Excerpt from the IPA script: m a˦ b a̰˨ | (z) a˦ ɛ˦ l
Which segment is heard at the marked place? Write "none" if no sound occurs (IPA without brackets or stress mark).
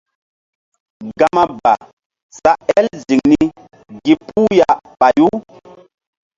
s